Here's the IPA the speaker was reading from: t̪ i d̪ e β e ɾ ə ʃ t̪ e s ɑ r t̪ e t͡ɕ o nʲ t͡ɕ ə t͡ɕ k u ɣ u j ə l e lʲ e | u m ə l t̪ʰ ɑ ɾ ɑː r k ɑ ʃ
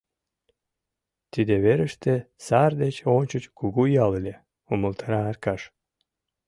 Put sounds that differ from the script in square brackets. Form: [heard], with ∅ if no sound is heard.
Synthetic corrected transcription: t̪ i d̪ e β e ɾ ə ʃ t̪ e s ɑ r [d̪] e t͡ɕ o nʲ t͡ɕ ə t͡ɕ k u ɣ u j [ɑ] l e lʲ e | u m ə l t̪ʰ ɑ ɾ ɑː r k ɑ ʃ